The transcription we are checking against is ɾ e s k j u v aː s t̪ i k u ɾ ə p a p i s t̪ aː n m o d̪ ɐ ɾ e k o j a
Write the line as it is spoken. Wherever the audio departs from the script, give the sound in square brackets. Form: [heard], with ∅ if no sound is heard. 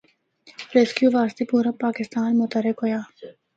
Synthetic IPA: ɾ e s k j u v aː s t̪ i [p] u ɾ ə p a [k] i s t̪ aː n m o [t̪] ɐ ɾ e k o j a